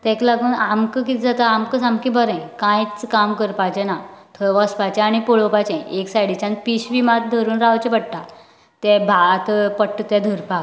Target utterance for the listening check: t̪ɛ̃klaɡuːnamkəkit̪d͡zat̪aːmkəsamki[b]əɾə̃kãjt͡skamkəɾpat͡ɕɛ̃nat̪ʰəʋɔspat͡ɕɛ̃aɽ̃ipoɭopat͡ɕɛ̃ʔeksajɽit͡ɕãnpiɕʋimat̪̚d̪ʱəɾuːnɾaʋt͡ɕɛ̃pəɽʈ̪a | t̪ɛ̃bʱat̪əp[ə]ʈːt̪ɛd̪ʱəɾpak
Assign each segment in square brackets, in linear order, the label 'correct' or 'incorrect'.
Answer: correct, correct

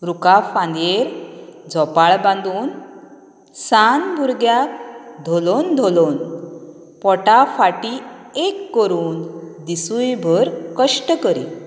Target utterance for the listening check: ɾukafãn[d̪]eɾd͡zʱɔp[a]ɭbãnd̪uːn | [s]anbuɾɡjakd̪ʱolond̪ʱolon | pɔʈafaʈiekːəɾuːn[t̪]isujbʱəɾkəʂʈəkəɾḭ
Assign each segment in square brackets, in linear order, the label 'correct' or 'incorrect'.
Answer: correct, correct, correct, incorrect: d̪

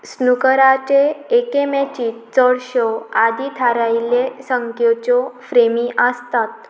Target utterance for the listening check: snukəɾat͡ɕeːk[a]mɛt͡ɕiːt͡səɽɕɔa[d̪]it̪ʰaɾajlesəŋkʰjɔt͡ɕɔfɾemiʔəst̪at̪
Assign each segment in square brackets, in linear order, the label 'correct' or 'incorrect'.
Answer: incorrect: e, correct

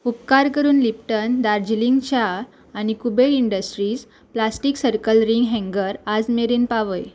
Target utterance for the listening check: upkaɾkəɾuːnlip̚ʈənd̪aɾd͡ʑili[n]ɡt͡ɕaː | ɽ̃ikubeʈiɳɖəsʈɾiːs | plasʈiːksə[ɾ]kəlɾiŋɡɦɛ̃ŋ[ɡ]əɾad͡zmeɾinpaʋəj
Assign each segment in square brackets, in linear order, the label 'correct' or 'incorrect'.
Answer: incorrect: ŋ, correct, correct

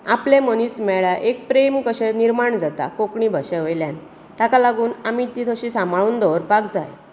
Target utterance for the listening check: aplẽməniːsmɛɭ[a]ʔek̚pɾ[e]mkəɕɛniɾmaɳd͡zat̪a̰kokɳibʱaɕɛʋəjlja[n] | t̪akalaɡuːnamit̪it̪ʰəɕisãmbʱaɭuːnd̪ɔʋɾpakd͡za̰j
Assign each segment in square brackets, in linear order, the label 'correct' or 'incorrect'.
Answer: correct, correct, correct

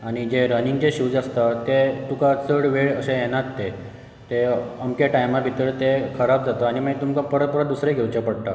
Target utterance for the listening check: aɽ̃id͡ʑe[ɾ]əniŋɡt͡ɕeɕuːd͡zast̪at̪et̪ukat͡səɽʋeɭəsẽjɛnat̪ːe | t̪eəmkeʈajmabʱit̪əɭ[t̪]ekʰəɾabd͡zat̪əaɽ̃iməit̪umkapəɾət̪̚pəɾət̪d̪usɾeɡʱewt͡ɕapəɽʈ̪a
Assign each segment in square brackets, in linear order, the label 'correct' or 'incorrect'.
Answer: correct, correct

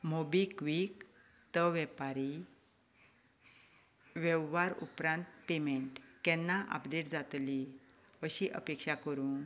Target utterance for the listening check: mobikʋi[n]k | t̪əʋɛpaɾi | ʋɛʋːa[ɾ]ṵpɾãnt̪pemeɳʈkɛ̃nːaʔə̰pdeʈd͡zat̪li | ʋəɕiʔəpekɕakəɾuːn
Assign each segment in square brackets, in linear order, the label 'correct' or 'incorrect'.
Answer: incorrect: none, correct

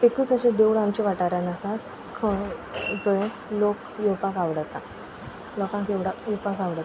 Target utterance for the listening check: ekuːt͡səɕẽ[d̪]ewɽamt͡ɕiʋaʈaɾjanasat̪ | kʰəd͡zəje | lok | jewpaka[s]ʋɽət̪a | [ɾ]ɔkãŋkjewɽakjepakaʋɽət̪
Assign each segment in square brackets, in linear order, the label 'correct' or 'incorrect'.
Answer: correct, incorrect: none, incorrect: l

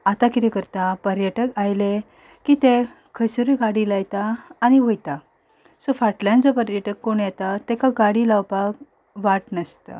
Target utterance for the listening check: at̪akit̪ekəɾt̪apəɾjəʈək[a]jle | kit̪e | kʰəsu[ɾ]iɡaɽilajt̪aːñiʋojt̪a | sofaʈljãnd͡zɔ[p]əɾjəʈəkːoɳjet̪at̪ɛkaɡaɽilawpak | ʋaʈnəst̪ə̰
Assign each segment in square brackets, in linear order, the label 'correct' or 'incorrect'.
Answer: correct, correct, correct

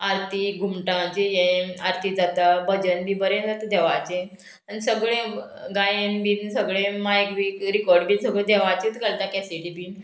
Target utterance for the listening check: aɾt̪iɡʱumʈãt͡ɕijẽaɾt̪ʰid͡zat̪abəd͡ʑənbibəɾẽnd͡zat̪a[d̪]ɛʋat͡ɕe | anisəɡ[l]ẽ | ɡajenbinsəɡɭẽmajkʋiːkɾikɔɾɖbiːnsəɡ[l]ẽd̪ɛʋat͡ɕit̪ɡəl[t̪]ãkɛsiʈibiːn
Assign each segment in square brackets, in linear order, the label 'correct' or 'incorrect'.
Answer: correct, incorrect: ɭ, incorrect: ɭ, correct

